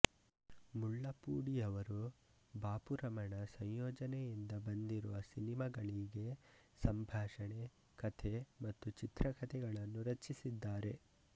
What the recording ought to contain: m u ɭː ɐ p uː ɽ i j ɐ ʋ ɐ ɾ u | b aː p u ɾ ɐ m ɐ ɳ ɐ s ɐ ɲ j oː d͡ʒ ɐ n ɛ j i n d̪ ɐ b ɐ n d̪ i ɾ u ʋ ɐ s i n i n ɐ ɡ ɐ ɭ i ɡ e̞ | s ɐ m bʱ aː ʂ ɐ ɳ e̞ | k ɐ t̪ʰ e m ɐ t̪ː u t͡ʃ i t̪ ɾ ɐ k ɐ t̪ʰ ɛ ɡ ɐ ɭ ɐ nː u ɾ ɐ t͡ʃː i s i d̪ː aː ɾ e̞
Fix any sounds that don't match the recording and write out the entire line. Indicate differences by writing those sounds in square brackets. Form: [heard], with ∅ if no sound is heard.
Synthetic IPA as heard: m u ɭː ɐ p uː ɽ i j ɐ ʋ ɐ ɾ u | b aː p u ɾ ɐ m ɐ ɳ ɐ s ɐ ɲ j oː d͡ʒ ɐ n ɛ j i n d̪ ɐ b ɐ n d̪ i ɾ u ʋ ɐ s i n i [m] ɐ ɡ ɐ ɭ i ɡ e̞ | s ɐ m bʱ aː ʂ ɐ ɳ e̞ | k ɐ t̪ʰ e m ɐ t̪ː u t͡ʃ i t̪ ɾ ɐ k ɐ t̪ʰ ɛ ɡ ɐ ɭ ɐ nː u ɾ ɐ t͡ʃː i s i d̪ː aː ɾ e̞